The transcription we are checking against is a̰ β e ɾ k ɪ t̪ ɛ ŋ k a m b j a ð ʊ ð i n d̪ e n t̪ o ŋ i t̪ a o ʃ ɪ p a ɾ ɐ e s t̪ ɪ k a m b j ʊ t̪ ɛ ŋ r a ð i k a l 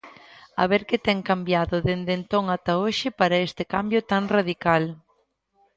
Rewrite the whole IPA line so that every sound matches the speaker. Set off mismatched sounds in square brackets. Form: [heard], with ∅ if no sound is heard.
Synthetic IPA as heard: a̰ β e ɾ k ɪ t̪ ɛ ŋ k a m b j a ð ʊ ð [e] n d̪ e n t̪ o ŋ [a] t̪ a o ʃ ɪ p a ɾ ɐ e s t̪ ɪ k a m b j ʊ t̪ [a] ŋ r a ð i k a l